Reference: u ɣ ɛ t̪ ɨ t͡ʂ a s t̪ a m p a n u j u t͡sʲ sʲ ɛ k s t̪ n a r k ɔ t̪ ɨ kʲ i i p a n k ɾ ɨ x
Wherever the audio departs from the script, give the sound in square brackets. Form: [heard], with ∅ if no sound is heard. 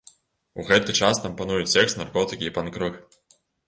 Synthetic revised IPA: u ɣ ɛ t̪ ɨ t͡ʂ a s t̪ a m p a n u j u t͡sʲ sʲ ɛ k s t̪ n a r k ɔ t̪ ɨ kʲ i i p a n k ɾ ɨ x